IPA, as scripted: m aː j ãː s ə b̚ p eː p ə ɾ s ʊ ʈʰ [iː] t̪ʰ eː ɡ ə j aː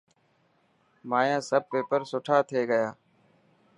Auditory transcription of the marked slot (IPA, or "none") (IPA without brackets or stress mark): aː